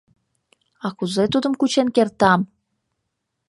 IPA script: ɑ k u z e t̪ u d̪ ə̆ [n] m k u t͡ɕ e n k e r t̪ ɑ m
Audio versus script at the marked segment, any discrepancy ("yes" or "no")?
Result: yes